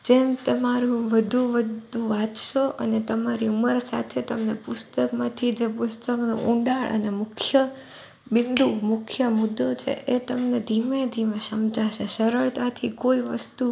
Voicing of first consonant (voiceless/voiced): voiced